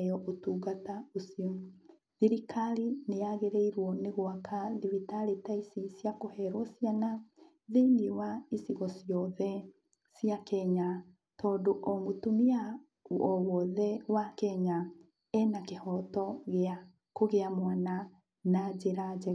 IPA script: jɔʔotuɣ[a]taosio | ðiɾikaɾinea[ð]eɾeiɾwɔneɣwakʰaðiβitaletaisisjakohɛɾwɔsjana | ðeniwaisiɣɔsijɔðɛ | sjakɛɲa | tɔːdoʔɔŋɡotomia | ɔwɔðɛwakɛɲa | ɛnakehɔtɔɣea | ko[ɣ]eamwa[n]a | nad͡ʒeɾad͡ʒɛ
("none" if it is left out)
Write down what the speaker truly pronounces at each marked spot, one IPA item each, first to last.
a, ɣ, ɣ, n

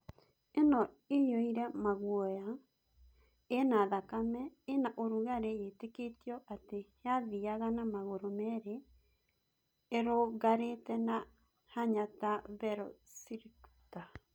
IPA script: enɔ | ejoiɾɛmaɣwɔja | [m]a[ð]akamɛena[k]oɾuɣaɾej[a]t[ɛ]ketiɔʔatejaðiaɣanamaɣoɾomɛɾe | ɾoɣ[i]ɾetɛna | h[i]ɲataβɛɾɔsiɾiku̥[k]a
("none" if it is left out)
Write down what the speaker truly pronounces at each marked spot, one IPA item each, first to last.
n, ð, ʔ, e, e, a, a, t

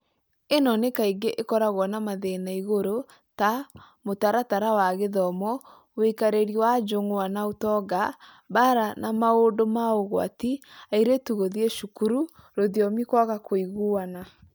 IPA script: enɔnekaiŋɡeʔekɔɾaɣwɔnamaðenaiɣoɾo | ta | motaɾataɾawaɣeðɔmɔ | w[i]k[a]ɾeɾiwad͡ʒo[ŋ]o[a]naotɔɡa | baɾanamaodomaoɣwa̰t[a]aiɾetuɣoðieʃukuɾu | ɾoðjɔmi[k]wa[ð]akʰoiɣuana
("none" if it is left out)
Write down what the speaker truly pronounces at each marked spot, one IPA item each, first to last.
e, a, ŋ, a, i, k, ɣ

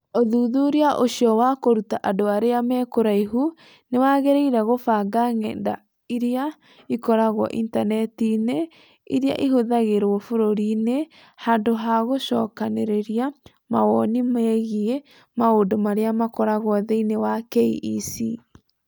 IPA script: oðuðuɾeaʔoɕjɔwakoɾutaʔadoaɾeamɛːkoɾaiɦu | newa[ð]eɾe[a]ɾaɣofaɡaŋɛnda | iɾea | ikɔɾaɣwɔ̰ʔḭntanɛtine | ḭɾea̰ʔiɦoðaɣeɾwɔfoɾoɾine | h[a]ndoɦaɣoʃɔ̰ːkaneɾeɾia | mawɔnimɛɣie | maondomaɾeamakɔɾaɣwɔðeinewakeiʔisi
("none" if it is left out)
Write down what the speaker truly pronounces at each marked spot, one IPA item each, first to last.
ɣ, i, a

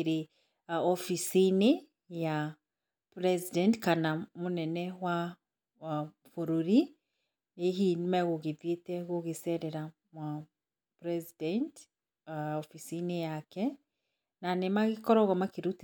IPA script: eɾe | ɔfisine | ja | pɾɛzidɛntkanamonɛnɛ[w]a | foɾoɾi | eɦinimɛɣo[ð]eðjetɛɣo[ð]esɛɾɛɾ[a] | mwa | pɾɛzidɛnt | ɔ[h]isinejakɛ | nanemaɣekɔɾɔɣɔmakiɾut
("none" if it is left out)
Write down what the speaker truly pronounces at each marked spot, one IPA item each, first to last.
w, ɣ, ɣ, a, f

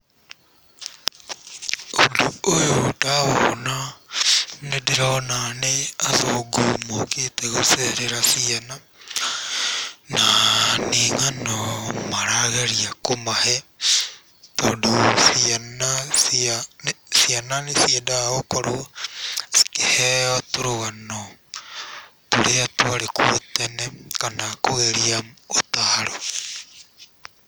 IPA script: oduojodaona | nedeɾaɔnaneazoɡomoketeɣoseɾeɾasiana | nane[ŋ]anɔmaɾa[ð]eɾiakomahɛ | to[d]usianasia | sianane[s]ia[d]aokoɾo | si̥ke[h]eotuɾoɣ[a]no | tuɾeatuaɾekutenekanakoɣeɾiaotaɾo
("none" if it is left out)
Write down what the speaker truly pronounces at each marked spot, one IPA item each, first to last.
ŋ, ɣ, d, s, d, h, a

